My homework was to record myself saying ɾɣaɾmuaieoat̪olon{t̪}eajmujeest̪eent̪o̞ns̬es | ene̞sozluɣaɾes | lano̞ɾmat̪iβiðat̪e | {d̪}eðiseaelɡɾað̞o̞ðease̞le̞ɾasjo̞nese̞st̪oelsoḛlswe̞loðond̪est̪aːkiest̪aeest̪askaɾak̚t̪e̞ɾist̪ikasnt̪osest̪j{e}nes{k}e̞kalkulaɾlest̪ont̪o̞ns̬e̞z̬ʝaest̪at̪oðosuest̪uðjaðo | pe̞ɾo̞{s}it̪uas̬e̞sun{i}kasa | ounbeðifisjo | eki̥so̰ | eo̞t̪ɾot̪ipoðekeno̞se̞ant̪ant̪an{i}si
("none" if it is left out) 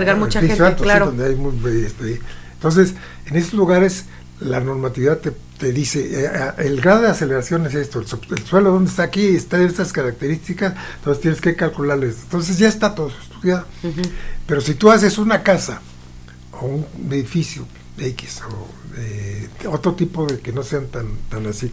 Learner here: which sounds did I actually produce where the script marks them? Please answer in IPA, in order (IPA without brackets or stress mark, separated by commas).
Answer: d̪, t̪, e, k, s, a, a